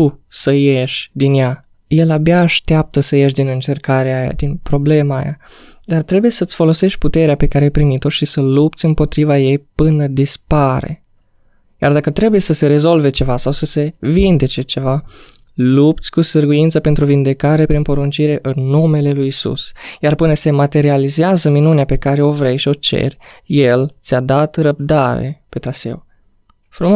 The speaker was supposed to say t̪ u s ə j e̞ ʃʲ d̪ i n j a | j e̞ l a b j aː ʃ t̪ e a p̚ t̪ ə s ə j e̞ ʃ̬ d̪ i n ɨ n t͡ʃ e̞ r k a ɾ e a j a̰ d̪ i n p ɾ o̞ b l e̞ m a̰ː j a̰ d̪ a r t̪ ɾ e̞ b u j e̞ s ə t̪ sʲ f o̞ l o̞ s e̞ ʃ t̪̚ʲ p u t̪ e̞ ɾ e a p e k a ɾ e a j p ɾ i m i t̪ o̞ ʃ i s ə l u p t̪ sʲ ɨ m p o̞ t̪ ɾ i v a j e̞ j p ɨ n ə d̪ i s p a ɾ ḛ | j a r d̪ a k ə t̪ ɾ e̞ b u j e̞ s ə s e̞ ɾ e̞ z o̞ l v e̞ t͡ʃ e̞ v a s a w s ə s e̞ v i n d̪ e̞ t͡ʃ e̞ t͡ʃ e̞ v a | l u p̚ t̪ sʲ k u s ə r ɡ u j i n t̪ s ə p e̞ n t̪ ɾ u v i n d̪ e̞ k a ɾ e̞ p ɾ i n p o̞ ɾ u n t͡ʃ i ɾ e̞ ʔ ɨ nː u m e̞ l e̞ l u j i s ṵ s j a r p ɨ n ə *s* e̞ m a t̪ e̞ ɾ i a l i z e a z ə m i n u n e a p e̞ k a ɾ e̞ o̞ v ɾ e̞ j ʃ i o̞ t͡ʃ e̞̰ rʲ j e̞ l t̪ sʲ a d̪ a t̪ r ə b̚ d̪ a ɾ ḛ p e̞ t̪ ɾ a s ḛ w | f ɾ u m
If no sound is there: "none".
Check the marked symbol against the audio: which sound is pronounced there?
s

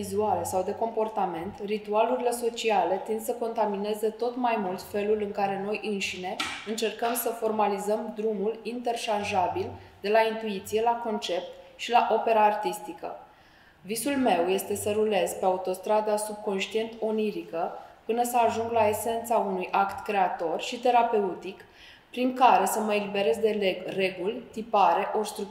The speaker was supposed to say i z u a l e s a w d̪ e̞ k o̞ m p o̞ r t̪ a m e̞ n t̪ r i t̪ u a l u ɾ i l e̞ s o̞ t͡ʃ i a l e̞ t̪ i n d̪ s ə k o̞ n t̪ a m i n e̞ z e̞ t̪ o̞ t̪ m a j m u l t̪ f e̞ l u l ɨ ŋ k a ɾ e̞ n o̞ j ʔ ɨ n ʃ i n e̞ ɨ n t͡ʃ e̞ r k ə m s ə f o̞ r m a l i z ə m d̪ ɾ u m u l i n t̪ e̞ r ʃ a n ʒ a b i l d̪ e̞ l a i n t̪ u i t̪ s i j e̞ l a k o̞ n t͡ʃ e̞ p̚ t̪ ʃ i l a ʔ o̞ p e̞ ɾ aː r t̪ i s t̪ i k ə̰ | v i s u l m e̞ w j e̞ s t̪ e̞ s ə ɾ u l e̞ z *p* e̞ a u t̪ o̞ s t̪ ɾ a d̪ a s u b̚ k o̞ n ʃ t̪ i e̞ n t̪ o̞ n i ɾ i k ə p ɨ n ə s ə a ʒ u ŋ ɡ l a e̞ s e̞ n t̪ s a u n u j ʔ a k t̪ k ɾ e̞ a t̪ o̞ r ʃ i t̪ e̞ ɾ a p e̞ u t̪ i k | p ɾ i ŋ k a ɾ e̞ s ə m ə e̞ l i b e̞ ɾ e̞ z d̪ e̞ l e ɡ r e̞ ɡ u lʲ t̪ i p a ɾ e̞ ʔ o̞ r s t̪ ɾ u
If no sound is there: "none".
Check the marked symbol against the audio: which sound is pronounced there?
p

